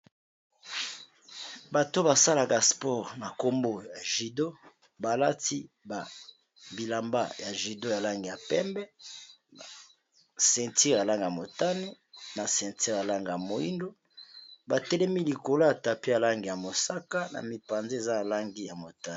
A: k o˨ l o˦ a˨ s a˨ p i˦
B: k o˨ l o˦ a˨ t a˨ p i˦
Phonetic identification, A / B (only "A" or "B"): B